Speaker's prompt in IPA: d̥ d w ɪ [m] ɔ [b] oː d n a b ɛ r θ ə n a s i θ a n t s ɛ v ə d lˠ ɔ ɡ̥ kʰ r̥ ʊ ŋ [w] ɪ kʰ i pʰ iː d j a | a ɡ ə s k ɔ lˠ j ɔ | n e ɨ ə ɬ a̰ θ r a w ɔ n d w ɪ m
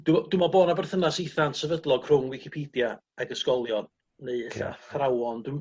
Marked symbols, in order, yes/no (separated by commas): yes, yes, yes